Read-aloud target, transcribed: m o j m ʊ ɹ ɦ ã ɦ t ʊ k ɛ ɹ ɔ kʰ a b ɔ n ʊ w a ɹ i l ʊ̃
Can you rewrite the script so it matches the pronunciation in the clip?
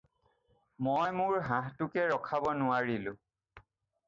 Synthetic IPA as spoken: m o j m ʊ ɹ ɦ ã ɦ t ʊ k ɛ ɹ ɔ kʰ a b ɔ n ʊ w a ɹ i l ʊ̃